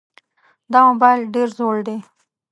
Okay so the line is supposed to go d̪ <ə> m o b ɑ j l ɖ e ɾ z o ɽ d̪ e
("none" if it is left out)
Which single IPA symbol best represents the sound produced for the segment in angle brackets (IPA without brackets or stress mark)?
ɑ